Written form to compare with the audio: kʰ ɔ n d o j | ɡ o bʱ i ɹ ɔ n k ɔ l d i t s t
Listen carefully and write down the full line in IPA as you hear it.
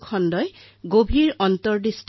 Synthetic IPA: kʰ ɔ n d ɔ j | ɡ o bʱ i ɹ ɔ n t ɔ ɹ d i s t